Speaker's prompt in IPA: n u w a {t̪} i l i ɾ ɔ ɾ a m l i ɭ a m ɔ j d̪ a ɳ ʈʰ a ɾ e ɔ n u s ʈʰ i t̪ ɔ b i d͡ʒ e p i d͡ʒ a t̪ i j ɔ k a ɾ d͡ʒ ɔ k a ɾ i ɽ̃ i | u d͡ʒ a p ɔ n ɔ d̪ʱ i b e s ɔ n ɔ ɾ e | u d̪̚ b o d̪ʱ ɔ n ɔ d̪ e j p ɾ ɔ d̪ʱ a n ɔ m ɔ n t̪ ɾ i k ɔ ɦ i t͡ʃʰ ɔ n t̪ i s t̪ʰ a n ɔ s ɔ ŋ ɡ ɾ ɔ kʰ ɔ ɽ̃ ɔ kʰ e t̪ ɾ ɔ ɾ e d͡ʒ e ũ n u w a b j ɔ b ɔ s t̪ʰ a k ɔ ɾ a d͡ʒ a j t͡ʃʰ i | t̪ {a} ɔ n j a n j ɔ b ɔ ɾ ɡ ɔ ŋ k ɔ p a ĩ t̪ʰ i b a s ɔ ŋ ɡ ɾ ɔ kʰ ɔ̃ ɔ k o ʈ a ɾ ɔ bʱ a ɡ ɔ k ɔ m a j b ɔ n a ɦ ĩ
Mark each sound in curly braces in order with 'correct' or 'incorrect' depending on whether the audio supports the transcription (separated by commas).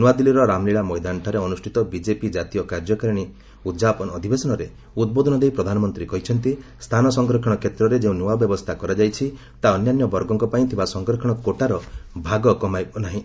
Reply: incorrect, correct